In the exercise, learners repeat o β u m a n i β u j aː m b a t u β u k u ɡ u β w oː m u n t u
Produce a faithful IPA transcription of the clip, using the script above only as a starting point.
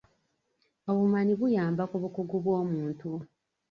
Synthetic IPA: o β u m a n i β u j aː m b a k u β u k u ɡ u β w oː m uː n t u